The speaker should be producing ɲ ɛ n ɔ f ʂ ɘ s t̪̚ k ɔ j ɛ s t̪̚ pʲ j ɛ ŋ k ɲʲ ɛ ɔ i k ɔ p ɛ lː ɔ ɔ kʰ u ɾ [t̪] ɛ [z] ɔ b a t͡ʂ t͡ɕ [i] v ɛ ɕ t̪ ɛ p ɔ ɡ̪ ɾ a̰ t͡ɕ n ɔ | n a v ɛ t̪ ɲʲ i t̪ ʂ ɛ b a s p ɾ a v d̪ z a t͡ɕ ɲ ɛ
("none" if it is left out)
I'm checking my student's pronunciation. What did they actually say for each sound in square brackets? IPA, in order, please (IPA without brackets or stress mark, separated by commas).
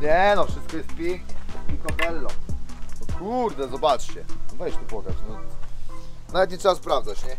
d̪, z, ɛ